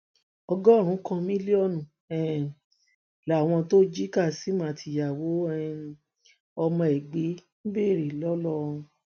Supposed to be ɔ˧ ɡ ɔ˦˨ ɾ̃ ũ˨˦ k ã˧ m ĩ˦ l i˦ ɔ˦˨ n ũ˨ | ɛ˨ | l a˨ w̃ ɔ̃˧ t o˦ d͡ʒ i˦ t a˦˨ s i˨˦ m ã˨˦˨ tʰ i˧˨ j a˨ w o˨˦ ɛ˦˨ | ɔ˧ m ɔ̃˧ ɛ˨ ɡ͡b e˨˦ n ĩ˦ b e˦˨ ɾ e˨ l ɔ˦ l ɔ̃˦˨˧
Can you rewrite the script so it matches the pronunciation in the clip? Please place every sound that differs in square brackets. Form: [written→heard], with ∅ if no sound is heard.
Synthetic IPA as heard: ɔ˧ ɡ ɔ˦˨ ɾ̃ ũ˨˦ k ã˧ m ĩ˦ l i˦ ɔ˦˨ n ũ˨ | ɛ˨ | l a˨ w̃ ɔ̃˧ t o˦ d͡ʒ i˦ [t→k] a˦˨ s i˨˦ m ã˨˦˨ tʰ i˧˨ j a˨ w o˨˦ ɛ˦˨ | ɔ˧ m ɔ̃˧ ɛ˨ ɡ͡b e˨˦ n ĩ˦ b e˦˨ ɾ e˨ l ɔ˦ l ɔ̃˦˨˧